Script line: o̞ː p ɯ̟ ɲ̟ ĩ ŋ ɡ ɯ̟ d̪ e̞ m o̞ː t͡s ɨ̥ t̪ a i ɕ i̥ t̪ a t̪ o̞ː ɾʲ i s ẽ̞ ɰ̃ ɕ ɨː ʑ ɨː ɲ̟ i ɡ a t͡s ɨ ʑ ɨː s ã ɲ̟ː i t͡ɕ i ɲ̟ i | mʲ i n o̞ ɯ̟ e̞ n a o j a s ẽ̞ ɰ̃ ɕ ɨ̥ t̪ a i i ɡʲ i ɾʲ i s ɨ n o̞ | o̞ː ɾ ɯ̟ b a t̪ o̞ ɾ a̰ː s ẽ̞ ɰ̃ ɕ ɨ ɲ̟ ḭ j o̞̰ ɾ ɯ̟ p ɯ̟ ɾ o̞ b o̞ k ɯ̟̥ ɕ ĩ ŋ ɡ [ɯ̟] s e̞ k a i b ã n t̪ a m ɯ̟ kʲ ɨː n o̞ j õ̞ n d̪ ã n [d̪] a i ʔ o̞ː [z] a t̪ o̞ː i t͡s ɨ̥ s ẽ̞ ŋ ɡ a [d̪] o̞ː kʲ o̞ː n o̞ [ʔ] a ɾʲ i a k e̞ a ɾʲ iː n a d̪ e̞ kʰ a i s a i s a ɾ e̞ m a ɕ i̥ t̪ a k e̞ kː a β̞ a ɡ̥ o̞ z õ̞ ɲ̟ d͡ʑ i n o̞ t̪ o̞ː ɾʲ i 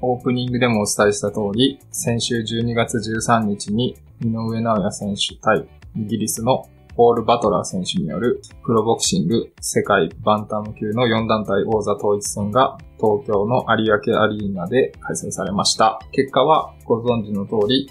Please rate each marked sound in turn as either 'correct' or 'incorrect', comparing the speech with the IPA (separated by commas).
correct, incorrect, correct, incorrect, correct